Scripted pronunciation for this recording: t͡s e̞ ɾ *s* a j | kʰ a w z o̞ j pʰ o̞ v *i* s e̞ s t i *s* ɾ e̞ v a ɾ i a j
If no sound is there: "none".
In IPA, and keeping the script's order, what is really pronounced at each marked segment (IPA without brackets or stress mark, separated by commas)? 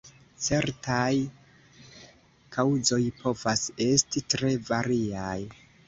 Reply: t, a, t